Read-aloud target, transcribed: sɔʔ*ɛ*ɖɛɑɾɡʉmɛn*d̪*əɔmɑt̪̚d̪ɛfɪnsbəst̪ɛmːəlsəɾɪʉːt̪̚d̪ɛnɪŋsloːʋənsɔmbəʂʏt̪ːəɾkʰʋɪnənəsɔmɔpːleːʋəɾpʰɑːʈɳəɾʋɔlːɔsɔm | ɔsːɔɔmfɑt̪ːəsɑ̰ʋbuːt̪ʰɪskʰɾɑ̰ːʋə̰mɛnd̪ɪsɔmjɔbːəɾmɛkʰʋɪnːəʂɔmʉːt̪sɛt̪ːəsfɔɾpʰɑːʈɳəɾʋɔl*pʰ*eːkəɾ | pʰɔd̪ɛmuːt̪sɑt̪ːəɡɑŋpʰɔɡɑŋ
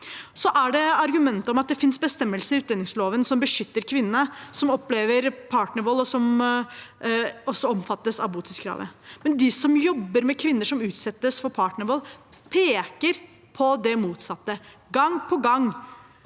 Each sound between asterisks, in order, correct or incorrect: incorrect: æ, incorrect: t̪, correct

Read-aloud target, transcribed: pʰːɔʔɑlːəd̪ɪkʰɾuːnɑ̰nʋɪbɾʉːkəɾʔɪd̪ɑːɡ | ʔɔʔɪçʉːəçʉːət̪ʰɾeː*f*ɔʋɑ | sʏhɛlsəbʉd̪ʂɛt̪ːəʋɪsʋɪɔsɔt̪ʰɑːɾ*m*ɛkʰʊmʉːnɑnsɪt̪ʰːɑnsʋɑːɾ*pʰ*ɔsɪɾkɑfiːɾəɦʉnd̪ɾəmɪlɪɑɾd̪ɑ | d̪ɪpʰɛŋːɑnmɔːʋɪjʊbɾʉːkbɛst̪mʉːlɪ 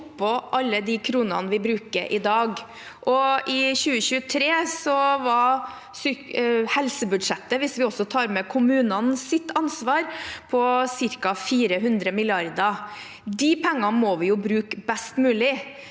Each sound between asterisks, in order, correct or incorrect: incorrect: s, correct, correct

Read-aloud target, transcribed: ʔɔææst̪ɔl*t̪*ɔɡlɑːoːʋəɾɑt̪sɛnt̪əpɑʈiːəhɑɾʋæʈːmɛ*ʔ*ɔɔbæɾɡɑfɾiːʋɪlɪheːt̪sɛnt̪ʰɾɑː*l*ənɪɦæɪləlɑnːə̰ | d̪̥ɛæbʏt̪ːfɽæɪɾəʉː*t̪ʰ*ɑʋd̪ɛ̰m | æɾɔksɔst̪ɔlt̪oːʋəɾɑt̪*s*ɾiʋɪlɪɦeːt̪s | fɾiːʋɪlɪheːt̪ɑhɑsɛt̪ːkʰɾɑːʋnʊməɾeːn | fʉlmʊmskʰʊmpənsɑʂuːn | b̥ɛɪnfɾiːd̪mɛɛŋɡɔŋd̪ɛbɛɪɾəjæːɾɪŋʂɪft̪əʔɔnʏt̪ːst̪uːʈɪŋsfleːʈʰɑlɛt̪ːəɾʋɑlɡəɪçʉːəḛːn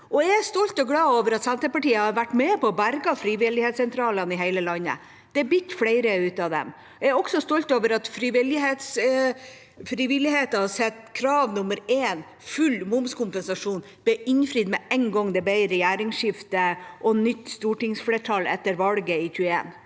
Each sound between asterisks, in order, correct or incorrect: correct, incorrect: p, correct, incorrect: t̪, incorrect: f

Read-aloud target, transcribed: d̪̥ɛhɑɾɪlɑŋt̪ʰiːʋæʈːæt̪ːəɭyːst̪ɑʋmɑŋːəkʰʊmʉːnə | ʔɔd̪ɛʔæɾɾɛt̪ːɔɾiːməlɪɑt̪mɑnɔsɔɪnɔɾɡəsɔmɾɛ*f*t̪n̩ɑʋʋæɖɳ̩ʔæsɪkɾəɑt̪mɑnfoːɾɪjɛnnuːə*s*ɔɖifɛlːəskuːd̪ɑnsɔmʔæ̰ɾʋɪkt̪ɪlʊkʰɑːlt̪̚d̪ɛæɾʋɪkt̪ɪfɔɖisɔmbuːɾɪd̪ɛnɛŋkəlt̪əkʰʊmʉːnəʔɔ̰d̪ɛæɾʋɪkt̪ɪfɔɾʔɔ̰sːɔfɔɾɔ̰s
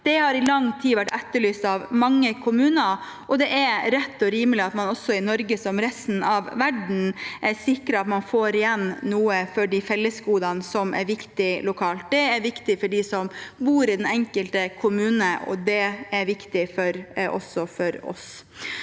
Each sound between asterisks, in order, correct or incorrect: incorrect: s, incorrect: f

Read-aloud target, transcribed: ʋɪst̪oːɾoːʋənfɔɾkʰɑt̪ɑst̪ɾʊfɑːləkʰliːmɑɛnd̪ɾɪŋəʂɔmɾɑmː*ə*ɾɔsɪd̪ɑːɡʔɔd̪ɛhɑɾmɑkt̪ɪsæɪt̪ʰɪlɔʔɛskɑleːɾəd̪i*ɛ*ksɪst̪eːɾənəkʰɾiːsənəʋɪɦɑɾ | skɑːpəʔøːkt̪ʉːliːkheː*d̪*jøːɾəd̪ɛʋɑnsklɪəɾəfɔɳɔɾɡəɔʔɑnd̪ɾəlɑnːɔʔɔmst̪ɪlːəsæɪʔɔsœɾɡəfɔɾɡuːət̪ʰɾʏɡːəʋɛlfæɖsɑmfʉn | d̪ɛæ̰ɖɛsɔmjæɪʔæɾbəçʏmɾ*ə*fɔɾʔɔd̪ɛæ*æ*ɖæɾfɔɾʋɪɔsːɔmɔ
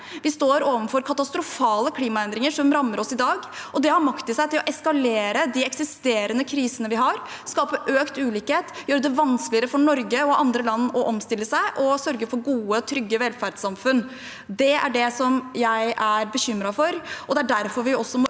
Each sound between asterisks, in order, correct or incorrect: correct, correct, incorrect: t̪, incorrect: ɑ, correct

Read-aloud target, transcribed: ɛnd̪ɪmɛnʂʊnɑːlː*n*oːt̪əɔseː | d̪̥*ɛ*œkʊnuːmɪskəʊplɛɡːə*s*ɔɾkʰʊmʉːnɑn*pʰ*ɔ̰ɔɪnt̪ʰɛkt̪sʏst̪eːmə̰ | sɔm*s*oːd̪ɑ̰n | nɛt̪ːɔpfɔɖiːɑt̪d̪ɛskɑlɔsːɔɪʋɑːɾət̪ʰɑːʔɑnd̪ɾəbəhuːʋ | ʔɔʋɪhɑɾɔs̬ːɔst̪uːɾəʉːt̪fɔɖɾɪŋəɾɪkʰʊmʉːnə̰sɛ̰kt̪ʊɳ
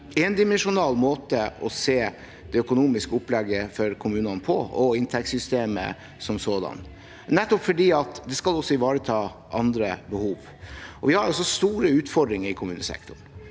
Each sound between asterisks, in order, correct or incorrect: incorrect: m, correct, incorrect: f, correct, correct

